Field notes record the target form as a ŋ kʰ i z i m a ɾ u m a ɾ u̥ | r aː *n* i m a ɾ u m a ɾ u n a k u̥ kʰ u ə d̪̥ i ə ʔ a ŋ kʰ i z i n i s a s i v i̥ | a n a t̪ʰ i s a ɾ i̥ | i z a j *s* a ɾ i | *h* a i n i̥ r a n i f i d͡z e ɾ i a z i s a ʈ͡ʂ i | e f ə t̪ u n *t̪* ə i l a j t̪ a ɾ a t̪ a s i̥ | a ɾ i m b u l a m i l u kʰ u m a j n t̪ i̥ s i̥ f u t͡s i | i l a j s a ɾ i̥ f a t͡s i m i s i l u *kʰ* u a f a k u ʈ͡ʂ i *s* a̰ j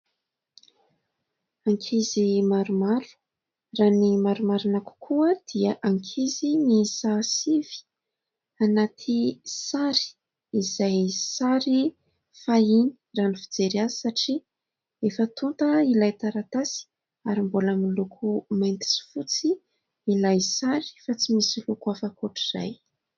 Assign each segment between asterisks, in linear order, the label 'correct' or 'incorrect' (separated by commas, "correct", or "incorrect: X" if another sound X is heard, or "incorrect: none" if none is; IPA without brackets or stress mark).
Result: correct, correct, incorrect: f, correct, incorrect: k, incorrect: z